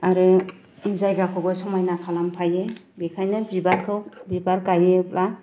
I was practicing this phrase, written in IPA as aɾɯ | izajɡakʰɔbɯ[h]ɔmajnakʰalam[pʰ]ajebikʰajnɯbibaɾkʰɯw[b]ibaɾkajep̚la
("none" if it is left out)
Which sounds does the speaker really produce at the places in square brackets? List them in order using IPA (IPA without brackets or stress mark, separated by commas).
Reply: s, pʰ, b